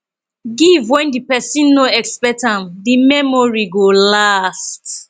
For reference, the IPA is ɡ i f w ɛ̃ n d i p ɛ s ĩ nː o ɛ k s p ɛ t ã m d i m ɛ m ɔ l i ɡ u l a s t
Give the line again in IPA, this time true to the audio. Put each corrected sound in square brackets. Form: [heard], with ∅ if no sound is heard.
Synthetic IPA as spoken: ɡ i [v] w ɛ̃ n d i p ɛ s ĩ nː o ɛ k s p ɛ t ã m d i m ɛ m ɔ [ɹ] i ɡ [o] l a s t